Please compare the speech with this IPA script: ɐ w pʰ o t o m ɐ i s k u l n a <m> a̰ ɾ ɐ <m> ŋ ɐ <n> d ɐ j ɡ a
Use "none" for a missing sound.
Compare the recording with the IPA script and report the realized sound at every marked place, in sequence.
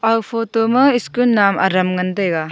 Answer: m, m, n

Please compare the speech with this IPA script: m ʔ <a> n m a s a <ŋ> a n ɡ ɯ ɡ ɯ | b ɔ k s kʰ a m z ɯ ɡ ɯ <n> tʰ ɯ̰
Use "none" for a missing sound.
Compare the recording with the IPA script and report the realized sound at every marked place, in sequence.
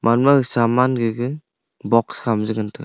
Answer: a, m, n

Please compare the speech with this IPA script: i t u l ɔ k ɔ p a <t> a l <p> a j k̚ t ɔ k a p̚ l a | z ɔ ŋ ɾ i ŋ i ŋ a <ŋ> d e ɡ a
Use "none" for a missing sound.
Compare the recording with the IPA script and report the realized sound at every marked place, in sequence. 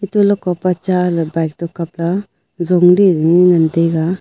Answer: t͡ʃ, b, n

